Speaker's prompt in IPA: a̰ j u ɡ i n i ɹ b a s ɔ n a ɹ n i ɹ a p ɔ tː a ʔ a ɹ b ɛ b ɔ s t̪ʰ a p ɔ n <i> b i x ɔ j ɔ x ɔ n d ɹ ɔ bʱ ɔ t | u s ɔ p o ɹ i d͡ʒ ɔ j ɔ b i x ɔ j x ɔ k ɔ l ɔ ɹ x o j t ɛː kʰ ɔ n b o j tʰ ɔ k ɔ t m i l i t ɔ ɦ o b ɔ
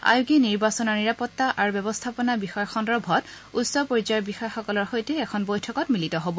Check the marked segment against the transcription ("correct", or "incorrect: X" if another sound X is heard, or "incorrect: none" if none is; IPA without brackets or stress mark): incorrect: a